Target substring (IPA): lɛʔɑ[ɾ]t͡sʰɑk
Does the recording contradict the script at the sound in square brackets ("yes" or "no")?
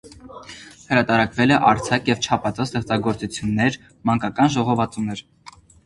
no